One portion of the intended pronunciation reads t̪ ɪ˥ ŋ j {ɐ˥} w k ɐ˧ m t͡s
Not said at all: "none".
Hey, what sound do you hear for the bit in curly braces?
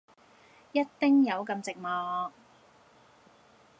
ɐ˨˧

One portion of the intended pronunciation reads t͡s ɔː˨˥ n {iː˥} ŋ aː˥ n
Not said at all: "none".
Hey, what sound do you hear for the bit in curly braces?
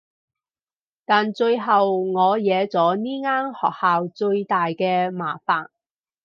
iː˥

